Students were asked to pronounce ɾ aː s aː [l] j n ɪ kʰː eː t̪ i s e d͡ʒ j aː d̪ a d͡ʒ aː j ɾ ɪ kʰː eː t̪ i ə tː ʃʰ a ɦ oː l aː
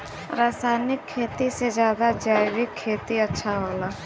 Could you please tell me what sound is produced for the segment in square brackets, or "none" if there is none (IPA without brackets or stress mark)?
none